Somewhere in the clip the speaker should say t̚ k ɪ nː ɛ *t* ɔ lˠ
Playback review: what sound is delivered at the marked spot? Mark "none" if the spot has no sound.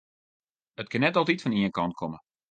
t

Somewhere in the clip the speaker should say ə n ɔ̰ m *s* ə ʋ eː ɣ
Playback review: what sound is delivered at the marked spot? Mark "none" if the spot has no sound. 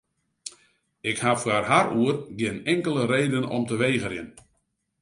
t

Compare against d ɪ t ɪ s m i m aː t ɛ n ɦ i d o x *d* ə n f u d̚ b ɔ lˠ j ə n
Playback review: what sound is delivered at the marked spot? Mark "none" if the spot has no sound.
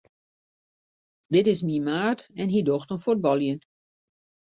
t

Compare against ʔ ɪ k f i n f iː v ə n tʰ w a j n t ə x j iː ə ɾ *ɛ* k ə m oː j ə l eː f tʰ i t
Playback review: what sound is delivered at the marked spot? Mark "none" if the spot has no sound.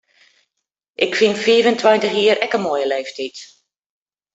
ɛ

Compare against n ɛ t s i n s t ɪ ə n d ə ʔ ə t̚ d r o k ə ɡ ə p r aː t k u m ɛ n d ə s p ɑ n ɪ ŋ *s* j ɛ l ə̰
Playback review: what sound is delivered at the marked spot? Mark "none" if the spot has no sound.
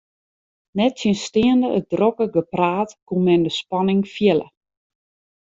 f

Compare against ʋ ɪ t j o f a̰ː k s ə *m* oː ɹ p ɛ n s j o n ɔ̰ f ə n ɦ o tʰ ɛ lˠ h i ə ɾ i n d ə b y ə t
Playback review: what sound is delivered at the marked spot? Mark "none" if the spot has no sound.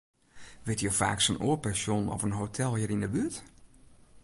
n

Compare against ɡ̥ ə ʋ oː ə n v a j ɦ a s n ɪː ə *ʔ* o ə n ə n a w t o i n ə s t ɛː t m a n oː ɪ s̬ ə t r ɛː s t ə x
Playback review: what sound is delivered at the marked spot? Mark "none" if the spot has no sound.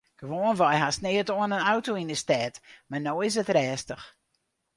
t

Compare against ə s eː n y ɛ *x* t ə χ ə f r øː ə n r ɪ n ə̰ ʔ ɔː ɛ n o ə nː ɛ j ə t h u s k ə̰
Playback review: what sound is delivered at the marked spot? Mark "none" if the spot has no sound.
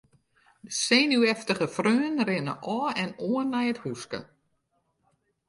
f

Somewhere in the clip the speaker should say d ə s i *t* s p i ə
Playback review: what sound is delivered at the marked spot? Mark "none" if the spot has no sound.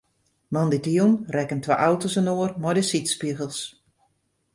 t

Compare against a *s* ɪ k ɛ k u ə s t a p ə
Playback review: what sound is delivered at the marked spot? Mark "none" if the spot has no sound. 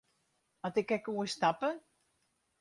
t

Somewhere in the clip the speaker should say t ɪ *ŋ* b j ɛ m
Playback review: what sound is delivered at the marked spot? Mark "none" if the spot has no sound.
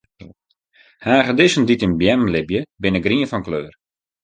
n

